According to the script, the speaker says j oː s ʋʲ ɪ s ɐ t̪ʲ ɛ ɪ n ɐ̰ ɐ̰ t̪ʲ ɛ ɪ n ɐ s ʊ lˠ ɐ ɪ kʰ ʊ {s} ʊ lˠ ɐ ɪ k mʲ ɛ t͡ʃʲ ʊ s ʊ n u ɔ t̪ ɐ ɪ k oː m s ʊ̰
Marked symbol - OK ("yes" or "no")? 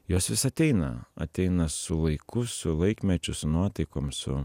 yes